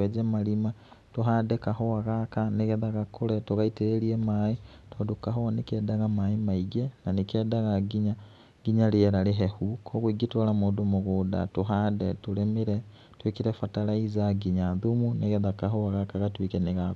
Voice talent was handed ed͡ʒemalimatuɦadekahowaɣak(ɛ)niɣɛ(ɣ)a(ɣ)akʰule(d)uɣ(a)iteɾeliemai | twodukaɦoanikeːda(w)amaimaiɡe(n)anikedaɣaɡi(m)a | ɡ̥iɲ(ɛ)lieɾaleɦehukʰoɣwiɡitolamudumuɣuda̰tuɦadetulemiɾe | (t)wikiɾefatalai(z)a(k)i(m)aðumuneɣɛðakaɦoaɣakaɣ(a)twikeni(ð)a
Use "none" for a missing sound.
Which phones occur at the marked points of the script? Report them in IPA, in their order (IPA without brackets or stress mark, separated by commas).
a, ð, ɣ, t, a, ɣ, n, ɲ, a, t, z, ɡ, ɲ, a, ɣ